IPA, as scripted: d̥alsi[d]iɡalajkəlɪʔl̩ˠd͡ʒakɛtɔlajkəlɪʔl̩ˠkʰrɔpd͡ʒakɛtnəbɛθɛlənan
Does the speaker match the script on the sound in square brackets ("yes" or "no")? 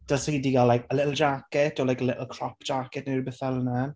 yes